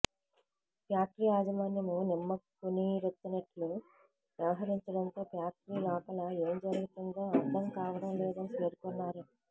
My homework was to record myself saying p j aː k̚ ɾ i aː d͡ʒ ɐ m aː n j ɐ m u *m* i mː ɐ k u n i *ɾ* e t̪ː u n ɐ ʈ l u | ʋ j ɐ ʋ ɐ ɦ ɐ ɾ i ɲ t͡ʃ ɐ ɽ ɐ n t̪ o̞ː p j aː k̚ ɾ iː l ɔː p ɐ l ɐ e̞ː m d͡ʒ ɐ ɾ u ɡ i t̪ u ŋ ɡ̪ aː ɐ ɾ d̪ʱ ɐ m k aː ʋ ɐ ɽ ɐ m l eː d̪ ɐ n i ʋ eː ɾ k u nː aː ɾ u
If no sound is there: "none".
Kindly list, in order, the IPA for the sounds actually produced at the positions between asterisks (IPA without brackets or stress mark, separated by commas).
n, ɾ